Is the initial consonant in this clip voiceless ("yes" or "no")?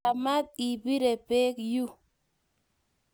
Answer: no